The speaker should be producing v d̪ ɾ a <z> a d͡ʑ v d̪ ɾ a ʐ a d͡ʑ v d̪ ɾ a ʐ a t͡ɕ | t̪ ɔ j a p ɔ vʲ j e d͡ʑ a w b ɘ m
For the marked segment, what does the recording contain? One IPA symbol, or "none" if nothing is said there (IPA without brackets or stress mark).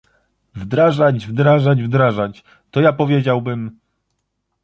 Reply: ʐ